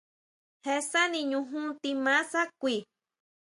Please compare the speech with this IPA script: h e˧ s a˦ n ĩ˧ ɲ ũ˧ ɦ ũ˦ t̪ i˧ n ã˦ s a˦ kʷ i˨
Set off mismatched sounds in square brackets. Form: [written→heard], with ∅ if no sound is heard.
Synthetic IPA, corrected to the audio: h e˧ s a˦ n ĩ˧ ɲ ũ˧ ɦ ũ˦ t̪ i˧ [n→m] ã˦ s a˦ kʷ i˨